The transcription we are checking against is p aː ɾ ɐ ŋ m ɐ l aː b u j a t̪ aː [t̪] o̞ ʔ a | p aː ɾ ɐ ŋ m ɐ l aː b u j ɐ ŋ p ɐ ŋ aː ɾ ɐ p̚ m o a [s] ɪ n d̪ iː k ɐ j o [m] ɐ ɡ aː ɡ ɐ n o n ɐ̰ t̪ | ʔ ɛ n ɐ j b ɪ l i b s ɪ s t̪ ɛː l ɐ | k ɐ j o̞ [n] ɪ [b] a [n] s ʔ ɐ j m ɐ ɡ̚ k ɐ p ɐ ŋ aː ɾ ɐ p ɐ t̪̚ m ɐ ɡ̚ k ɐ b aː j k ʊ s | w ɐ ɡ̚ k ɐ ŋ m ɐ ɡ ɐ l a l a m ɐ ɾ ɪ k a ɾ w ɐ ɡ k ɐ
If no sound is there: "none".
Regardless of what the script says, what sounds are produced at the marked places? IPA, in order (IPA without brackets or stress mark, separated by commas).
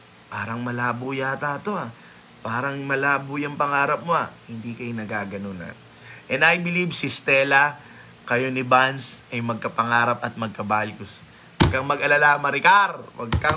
t̪, h, n, n, b, n